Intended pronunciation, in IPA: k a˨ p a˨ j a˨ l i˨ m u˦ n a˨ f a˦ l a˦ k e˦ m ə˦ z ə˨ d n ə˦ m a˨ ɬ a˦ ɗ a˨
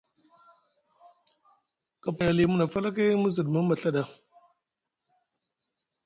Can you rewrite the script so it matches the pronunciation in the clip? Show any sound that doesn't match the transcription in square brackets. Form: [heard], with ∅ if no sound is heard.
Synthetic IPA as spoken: k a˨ p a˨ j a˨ l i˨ m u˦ n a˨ f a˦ l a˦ k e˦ m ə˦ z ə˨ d [m] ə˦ m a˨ ɬ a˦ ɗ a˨